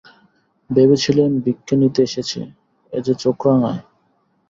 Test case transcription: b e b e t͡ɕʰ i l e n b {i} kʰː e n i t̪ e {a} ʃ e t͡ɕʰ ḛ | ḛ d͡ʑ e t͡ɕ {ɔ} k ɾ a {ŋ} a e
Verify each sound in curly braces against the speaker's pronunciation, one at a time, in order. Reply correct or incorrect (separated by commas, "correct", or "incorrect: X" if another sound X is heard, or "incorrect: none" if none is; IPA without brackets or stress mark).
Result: correct, incorrect: e, incorrect: o, correct